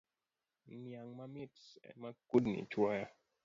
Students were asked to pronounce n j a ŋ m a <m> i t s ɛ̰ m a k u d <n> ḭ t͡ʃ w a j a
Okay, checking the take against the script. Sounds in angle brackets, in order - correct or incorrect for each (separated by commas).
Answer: correct, correct